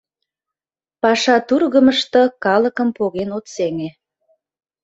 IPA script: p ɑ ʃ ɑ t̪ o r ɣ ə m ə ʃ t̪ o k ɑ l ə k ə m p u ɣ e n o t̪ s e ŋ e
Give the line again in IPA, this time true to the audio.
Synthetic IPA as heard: p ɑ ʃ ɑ t̪ u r ɣ ə m ə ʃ t̪ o k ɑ l ə k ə m p o ɣ e n o t̪ s e ŋ e